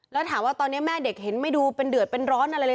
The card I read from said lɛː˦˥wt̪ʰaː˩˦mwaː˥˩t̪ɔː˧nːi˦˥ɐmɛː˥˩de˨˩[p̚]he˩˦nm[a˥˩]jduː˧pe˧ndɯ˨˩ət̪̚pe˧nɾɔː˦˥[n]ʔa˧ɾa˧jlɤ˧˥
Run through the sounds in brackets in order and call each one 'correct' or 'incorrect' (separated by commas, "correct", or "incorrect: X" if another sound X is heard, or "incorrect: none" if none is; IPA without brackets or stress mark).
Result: incorrect: k̚, correct, correct